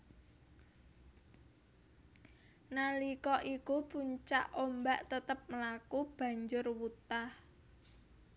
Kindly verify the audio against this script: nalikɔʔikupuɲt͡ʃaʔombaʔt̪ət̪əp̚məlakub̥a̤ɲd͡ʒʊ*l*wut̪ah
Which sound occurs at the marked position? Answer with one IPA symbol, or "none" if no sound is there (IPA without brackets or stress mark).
r